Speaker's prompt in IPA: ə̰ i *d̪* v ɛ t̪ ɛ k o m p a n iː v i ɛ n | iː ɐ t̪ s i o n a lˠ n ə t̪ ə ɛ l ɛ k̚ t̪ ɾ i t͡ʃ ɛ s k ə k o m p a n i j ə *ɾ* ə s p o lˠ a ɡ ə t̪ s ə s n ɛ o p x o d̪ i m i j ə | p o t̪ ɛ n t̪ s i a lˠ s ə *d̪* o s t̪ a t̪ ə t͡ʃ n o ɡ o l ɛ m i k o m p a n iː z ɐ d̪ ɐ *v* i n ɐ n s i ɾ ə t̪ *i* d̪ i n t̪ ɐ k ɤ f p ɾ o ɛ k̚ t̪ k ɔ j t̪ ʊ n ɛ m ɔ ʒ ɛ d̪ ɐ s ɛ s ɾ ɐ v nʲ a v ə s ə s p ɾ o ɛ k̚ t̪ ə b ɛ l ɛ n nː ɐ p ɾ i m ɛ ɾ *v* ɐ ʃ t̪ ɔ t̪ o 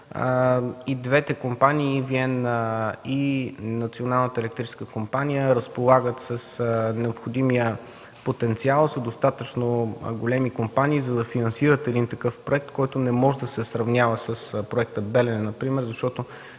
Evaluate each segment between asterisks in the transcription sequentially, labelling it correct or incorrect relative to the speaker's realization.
correct, correct, correct, incorrect: f, incorrect: ɛ, incorrect: z

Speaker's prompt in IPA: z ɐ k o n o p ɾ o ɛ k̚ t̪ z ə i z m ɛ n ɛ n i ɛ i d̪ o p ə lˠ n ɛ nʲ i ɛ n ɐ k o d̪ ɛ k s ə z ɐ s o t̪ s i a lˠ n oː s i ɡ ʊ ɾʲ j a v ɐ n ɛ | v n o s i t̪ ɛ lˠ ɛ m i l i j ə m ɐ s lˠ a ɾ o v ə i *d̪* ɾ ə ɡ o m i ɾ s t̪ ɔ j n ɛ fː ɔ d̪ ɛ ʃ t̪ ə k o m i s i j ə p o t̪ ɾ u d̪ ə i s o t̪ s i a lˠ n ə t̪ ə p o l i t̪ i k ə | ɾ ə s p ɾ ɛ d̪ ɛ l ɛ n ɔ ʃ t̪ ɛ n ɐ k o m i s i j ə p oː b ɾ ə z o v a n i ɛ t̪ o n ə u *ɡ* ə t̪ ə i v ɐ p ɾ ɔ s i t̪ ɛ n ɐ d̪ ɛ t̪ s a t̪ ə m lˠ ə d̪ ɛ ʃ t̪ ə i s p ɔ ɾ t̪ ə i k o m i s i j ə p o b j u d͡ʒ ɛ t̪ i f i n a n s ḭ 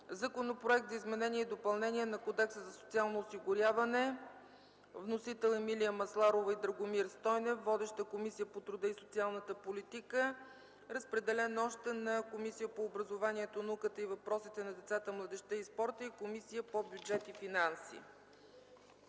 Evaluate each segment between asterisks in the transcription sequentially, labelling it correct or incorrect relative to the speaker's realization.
correct, incorrect: k

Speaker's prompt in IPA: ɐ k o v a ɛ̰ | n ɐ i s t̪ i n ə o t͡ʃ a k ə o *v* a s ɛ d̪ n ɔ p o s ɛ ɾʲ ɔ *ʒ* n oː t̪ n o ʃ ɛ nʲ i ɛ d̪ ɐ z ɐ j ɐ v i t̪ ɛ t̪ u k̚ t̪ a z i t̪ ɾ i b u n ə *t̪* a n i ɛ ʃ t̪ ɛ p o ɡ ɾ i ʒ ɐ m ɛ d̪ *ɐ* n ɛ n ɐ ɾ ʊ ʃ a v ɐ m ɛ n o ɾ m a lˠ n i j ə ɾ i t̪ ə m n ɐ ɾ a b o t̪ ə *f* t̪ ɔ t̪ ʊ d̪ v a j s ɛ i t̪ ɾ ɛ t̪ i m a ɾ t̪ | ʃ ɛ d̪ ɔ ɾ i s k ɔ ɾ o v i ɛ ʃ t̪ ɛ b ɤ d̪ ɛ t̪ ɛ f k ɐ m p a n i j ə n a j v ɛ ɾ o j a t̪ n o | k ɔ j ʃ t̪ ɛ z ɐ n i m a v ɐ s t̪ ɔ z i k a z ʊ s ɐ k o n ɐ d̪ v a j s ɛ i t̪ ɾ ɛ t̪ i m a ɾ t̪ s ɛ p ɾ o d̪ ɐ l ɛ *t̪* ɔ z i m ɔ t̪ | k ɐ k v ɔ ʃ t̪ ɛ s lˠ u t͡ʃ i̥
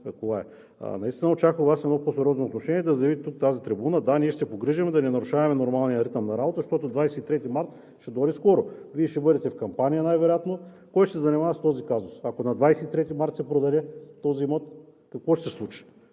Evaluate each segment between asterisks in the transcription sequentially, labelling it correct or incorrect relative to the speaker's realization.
correct, incorrect: z, incorrect: d̪, correct, incorrect: ʃ, correct

